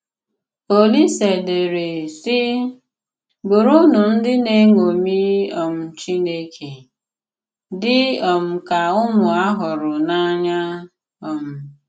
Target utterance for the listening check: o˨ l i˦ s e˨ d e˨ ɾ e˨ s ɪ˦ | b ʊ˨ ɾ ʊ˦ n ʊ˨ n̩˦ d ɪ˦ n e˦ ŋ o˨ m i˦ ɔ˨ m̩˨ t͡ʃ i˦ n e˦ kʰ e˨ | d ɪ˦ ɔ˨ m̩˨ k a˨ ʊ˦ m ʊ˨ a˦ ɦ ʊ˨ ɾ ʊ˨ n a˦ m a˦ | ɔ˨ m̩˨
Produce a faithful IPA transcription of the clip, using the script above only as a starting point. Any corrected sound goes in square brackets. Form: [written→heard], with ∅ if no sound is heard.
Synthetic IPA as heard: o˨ l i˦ s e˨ d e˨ ɾ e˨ s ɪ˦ | b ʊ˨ ɾ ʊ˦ n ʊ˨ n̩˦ d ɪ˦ n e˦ ŋ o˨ m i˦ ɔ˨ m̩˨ t͡ʃ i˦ n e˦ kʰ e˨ | d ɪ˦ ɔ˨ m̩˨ k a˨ ʊ˦ m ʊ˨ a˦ ɦ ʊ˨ ɾ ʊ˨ n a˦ [m→ɲ] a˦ | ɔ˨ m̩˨